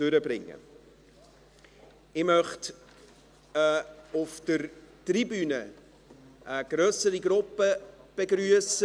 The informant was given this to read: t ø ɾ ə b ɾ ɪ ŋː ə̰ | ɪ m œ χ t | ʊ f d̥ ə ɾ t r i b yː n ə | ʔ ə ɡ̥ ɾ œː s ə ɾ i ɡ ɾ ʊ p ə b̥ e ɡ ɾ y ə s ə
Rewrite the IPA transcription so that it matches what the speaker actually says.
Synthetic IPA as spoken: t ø ɾ ə b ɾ ɪ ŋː ə̰ | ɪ m œ χ t | ʊ f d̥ ə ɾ t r i b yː n ə | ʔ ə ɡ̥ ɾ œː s ə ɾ i ɡ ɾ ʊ p ə b̥ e ɡ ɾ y ə s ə